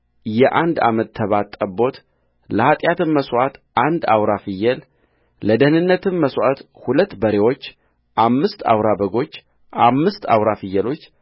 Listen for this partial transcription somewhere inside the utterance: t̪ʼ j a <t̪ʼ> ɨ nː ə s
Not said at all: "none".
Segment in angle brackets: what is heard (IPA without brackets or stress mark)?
t̪